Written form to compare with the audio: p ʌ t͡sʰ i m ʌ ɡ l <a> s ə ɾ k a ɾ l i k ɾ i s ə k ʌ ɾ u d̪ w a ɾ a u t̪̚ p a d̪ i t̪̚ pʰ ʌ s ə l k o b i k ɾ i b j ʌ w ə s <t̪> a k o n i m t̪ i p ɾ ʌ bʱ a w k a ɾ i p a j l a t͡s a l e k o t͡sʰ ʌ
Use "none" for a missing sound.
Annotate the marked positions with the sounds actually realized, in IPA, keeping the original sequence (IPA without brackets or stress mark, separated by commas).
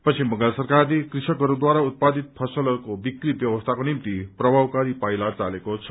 a, t̪ʰ